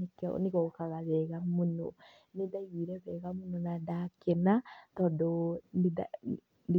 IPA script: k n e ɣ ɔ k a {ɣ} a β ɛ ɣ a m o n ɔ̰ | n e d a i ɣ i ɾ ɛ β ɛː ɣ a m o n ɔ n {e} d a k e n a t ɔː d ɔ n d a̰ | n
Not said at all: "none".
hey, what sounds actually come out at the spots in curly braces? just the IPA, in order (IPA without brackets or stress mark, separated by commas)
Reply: ɣ, a